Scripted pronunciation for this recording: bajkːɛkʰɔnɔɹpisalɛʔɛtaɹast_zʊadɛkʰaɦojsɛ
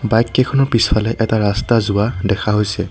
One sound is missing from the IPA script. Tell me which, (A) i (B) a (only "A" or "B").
B